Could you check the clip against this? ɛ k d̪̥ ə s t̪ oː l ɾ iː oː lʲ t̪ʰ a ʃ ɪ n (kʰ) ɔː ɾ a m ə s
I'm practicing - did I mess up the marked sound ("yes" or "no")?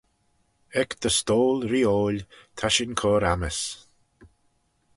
no